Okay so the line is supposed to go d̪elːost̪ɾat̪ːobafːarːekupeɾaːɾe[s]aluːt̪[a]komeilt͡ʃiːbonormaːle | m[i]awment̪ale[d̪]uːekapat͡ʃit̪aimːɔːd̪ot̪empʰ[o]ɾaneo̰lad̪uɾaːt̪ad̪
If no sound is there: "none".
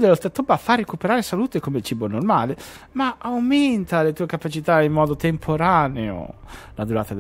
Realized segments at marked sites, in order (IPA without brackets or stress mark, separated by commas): s, e, a, t̪, o